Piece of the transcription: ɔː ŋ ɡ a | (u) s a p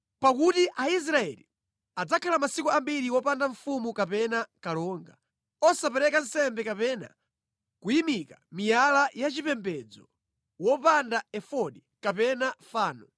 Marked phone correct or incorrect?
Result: incorrect